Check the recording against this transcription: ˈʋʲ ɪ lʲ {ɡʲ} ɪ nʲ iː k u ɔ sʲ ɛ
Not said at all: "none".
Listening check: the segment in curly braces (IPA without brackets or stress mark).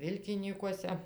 kʲ